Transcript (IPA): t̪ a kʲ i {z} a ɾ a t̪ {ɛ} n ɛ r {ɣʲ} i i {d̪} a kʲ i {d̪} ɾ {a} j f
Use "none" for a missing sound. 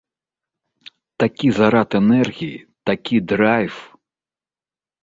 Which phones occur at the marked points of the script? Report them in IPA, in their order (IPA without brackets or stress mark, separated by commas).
z, ɛ, ɣʲ, t̪, d̪, a